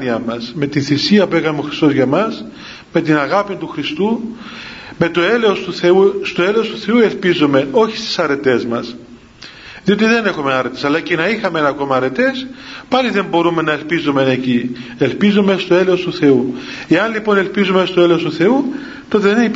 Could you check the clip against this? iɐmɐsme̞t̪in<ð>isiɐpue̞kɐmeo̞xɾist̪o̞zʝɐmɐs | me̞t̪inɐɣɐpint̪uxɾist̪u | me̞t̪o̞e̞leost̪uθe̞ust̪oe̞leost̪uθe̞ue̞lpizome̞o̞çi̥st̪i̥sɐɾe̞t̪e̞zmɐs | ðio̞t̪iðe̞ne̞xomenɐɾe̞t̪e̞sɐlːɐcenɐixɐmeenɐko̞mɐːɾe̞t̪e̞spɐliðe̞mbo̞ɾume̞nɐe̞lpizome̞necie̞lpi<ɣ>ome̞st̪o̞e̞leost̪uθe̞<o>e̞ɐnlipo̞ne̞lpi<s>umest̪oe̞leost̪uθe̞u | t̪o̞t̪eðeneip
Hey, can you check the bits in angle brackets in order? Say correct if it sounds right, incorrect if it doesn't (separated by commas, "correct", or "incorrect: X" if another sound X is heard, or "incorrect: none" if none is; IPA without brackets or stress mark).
incorrect: θ, incorrect: z, incorrect: u, incorrect: z